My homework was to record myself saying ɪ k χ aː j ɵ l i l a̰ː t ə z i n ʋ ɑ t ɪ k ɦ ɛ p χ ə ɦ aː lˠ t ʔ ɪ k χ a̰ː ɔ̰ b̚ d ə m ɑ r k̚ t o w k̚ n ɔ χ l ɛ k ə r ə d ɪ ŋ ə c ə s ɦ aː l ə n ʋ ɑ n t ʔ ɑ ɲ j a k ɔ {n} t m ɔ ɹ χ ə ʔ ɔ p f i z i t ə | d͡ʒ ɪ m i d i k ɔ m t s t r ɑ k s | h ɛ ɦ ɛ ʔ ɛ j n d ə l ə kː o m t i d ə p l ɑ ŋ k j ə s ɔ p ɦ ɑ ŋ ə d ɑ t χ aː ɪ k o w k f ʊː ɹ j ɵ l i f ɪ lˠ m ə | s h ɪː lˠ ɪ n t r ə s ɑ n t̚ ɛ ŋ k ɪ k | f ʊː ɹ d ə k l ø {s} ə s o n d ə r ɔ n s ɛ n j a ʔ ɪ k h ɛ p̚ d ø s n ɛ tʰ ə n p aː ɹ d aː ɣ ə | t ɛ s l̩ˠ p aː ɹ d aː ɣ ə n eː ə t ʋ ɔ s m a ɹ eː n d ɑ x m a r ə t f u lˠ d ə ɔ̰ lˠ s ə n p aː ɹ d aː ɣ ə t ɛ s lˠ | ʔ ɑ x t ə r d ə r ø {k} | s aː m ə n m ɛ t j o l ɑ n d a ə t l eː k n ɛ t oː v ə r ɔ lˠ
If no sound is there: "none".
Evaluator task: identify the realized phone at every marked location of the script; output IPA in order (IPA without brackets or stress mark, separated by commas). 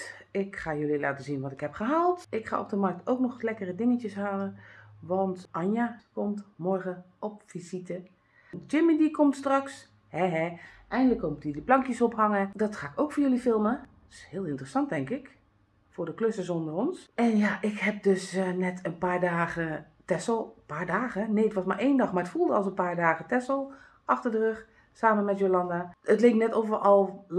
m, s, x